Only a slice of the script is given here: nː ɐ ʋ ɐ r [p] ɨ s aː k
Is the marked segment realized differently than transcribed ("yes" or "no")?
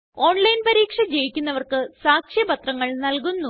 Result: yes